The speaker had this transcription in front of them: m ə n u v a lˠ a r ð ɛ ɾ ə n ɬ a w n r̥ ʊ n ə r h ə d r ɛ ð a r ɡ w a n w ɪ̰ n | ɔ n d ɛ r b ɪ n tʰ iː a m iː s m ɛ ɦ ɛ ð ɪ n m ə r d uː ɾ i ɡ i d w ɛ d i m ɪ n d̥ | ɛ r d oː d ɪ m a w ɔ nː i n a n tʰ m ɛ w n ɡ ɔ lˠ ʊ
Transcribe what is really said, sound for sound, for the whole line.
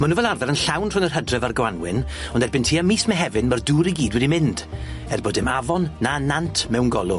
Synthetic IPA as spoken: m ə n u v ɛ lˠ a r ð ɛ ɾ ə n ɬ a w n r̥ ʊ n ə r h ə d r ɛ v a r ɡ w a n w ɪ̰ n | ɔ n d ɛ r b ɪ n tʰ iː a m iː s m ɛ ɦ ɛ v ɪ n m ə r d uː ɾ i ɡ iː d w ɛ d i m ɪ n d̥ | ɛ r b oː d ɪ m a v ɔ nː a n a n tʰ m ɛ w n ɡ ɔ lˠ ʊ